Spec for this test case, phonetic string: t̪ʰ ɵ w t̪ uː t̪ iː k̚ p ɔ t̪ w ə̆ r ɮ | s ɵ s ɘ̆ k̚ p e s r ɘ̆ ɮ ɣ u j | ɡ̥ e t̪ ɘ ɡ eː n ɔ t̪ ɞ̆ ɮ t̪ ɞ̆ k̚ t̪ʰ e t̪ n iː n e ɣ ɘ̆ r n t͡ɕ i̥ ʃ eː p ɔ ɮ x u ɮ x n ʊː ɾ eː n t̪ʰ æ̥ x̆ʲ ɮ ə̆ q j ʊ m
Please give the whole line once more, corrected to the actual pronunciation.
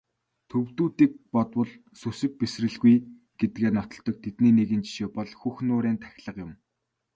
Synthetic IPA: t̪ʰ ɵ w t̪ uː t̪ iː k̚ p ɔ t̪ w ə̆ ɮ | s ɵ s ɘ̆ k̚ p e s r ɘ̆ ɮ ɣ u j | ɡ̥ e t̪ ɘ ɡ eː n ɔ t̪ ɞ̆ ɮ t̪ ɞ̆ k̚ t̪ʰ e t̪ n iː n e ɣ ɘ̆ n t͡ɕ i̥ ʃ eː p ɔ ɮ x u x n ʊː ɾ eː n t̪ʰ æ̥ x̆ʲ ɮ ə̆ q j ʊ m